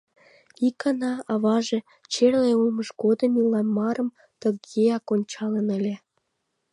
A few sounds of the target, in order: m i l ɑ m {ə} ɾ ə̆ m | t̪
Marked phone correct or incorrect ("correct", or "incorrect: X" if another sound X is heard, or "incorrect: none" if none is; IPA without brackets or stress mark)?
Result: incorrect: ɑ